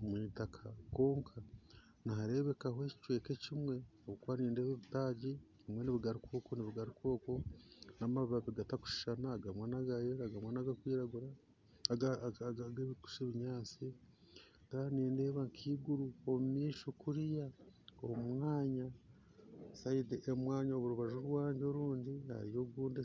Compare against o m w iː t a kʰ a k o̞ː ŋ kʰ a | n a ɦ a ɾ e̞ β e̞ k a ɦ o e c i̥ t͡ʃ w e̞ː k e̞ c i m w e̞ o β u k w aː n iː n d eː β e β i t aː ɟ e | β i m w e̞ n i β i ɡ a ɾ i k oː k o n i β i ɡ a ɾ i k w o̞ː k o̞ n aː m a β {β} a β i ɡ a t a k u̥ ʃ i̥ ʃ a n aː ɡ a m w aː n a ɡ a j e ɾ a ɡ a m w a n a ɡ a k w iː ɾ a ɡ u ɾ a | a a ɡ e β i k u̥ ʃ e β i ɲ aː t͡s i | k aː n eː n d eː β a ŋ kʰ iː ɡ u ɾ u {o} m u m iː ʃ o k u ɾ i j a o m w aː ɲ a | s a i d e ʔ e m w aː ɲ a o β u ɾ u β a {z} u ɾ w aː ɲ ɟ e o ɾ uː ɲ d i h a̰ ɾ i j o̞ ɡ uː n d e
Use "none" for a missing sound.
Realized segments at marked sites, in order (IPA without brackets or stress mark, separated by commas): β, o, ʒ